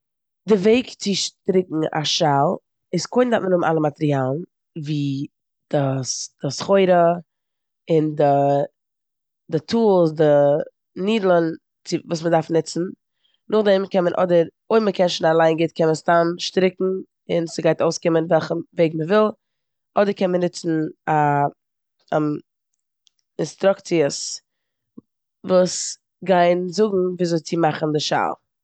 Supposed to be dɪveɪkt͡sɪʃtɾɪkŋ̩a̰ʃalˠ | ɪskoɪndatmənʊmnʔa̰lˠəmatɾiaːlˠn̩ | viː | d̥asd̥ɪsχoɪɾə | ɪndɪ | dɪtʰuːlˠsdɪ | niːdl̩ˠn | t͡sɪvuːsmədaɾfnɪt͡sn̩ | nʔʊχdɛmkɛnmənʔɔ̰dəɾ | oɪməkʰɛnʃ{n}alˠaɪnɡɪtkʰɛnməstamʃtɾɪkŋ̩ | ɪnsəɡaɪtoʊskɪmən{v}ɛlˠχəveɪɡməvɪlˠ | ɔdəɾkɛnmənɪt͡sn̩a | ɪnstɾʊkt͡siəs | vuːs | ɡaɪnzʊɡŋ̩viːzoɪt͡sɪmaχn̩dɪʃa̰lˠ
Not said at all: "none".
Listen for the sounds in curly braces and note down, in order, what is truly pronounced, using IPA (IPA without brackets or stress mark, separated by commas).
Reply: n, v